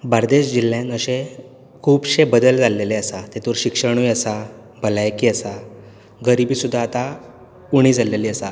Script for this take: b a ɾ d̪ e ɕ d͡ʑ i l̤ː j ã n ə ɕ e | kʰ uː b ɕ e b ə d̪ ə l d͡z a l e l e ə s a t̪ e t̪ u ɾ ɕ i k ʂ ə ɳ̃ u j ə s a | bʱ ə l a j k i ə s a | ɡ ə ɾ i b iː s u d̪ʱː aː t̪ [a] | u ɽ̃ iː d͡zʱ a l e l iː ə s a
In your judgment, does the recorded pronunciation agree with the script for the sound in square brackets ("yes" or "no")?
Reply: yes